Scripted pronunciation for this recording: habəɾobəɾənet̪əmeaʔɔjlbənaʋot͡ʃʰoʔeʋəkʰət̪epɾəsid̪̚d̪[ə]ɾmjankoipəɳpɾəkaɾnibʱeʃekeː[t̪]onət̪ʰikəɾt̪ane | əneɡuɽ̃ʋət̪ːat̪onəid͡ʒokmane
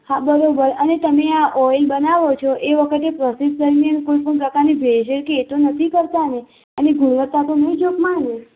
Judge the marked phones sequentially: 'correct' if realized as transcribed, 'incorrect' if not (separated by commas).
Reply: correct, correct